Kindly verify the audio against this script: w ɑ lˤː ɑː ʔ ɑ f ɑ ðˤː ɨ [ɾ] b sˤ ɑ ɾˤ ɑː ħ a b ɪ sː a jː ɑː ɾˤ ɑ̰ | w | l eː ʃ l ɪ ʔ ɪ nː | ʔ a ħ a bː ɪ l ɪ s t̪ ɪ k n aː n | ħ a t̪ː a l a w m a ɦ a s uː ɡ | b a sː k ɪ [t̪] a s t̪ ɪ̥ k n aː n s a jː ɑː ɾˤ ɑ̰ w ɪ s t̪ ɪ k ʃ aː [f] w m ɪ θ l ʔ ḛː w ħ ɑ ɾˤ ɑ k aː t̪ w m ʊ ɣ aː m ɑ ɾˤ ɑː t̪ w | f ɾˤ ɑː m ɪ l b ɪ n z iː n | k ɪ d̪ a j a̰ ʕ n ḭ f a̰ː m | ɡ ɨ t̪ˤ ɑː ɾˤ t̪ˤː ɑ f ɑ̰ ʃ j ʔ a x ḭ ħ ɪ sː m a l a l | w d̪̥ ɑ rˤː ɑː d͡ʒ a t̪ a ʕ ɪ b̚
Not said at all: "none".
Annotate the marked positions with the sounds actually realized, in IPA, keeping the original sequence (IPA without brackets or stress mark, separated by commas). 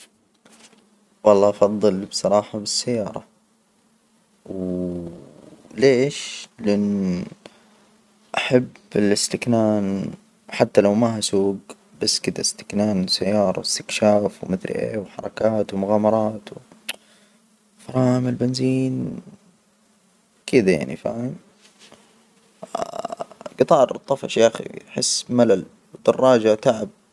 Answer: l, d̪, f